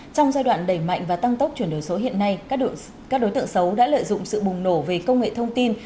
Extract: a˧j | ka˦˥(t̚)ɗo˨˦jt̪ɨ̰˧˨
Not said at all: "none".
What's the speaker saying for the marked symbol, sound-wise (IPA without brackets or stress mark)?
k̚